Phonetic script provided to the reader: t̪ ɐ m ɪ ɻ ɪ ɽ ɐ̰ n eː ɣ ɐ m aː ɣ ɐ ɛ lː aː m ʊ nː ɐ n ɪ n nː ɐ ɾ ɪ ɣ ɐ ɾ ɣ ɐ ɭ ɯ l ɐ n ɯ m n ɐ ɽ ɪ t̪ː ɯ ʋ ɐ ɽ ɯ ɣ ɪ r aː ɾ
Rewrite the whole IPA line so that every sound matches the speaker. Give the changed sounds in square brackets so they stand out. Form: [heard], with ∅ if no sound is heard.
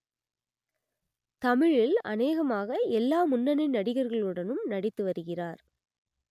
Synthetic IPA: t̪ ɐ m ɪ ɻ ɪ [l] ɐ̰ n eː ɣ ɐ m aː ɣ ɐ ɛ lː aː m ʊ nː ɐ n ɪ n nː ɐ [ɽ] ɪ ɣ ɐ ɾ ɣ ɐ ɭ ɯ [ɽ] ɐ n ɯ m n ɐ ɽ ɪ t̪ː ɯ ʋ ɐ [ɾ] ɯ ɣ ɪ r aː ɾ